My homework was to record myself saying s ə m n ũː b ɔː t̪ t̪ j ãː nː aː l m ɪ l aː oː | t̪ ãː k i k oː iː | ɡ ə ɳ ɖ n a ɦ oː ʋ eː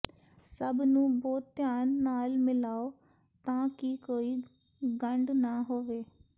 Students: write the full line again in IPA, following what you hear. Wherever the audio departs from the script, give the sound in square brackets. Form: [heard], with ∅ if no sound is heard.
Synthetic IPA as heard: s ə [b] n ũː b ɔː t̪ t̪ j [aː] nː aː l m ɪ l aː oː | t̪ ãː k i k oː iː | ɡ ə ɳ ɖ n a ɦ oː ʋ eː